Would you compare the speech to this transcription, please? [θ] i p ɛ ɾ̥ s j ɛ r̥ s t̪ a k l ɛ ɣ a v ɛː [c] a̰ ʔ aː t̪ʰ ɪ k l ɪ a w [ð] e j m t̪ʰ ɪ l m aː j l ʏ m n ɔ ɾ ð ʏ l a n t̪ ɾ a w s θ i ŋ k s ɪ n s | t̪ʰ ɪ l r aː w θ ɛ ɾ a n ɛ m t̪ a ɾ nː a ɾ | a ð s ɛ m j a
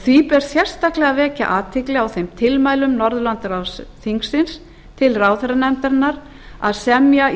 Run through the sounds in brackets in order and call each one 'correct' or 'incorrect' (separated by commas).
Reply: correct, correct, incorrect